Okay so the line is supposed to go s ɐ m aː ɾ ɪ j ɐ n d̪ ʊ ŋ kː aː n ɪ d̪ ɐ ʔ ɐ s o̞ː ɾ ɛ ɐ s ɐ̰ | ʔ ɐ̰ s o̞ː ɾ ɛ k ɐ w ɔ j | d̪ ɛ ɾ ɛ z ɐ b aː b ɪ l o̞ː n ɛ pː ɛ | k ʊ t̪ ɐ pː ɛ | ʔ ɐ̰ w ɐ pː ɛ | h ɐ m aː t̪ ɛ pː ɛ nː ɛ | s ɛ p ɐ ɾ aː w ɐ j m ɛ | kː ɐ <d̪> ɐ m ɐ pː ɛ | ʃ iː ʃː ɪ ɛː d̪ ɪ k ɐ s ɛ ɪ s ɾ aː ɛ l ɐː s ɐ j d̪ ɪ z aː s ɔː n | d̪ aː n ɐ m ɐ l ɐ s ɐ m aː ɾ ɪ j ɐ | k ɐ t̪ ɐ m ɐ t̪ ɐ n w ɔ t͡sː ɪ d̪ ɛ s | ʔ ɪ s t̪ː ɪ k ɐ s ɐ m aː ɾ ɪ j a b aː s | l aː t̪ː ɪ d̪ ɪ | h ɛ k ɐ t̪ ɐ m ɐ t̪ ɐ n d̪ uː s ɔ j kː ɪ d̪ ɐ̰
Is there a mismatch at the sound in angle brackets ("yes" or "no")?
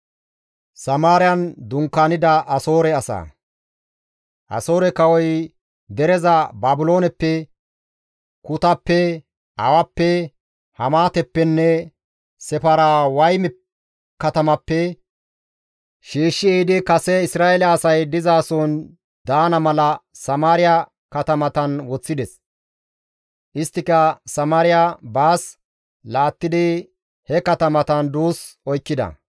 yes